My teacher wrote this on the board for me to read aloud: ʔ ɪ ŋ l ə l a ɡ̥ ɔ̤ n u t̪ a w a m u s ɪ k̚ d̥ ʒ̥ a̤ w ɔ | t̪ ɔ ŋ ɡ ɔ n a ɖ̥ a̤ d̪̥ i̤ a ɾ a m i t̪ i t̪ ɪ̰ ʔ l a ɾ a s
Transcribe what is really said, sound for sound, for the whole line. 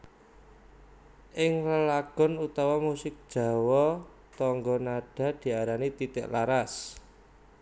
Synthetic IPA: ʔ ɪ ŋ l ə l a ɡ̥ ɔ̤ n u t̪ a w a m u s ɪ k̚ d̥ ʒ̥ a̤ w ɔ | t̪ ɔ ŋ ɡ ɔ n a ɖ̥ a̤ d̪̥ i̤ a ɾ a n i t̪ i t̪ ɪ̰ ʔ l a ɾ a s